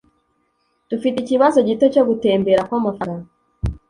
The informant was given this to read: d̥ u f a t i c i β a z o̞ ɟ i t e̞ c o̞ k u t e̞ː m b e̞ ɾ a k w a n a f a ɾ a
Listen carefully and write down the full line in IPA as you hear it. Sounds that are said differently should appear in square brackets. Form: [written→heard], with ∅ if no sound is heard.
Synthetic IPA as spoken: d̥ u f [a→i] t i c i β a z o̞ ɟ i t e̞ c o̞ [k→ɡ] u t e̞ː m b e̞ ɾ a k w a [n→m] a f a ɾ a